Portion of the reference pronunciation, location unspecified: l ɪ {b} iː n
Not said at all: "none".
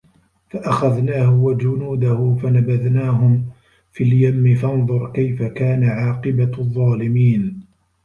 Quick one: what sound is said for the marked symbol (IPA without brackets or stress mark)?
m